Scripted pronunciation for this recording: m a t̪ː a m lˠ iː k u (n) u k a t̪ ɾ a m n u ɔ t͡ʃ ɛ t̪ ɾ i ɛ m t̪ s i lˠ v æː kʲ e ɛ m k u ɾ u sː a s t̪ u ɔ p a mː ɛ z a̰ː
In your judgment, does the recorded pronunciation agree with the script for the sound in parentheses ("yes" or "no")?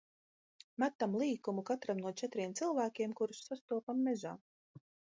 no